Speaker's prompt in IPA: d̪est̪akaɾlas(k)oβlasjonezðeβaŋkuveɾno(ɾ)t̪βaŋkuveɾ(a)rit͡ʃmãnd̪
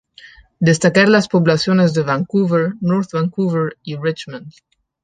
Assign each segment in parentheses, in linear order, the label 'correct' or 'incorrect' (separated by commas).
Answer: incorrect, correct, incorrect